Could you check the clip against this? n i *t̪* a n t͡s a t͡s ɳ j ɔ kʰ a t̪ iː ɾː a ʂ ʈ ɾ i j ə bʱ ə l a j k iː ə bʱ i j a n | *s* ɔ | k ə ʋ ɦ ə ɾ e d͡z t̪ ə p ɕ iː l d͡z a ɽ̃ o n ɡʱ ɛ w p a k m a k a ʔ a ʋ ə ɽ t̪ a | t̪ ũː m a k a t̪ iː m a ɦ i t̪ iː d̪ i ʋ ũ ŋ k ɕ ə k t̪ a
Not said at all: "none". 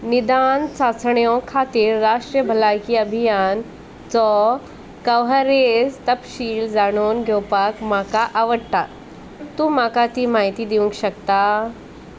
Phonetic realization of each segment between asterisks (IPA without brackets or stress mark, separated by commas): d̪, t͡s